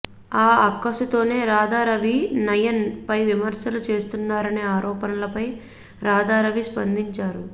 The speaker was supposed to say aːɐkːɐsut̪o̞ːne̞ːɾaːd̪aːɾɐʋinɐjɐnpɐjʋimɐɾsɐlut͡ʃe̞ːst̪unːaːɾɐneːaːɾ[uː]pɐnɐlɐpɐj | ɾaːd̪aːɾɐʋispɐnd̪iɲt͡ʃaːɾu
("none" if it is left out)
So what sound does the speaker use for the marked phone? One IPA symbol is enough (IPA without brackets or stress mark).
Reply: ɔː